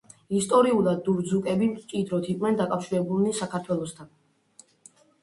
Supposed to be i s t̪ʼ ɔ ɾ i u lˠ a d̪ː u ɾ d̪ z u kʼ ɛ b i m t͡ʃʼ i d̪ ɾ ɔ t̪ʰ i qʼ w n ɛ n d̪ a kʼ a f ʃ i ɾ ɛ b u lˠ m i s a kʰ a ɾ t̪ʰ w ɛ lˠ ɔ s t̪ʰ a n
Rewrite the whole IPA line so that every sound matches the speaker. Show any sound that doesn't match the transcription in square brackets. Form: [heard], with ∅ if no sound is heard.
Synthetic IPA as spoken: i s t̪ʼ ɔ ɾ i u lˠ a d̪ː u ɾ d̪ z u kʼ ɛ b i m t͡ʃʼ i d̪ ɾ ɔ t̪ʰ i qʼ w n ɛ n d̪ a kʼ a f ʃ i ɾ ɛ b u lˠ [n] i s a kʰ a ɾ t̪ʰ w ɛ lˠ ɔ s t̪ʰ a n